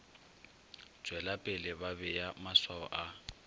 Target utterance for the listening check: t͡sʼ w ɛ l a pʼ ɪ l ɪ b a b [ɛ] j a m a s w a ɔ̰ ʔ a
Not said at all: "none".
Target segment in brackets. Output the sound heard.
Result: ɛ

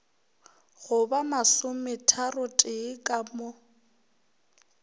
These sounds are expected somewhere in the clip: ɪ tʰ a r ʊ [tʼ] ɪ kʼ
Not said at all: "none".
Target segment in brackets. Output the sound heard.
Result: tʼ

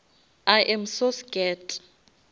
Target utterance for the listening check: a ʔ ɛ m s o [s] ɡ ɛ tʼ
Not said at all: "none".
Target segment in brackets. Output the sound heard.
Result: s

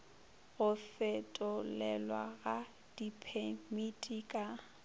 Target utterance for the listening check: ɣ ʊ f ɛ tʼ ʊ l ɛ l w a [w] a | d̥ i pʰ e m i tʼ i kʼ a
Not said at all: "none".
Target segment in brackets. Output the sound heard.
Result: ɣ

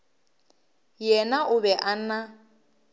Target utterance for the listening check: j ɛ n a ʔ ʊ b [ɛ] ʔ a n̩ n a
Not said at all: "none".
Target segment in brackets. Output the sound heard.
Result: ɛ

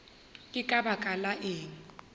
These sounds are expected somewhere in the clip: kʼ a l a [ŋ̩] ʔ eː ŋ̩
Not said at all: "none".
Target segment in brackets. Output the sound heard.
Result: none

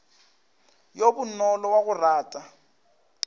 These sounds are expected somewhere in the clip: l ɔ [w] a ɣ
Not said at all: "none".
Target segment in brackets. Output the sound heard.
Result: w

